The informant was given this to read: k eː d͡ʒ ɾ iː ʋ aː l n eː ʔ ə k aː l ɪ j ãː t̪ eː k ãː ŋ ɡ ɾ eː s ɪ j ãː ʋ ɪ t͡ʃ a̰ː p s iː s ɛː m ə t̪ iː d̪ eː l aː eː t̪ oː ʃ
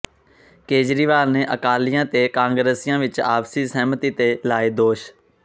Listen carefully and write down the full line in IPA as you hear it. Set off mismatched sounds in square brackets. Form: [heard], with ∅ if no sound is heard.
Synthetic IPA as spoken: k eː d͡ʒ ɾ iː ʋ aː l n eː ʔ ə k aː l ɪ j ãː t̪ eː k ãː ŋ ɡ ɾ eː s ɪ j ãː ʋ ɪ t͡ʃ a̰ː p s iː s ɛː m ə t̪ iː [t̪] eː l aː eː [d̪] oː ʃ